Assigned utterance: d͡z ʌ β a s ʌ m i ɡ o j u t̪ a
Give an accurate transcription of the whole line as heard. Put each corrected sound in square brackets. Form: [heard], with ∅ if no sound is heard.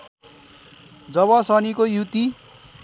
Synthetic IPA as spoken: d͡z ʌ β [ʌ] s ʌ [n] i [k] o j u t̪ [i]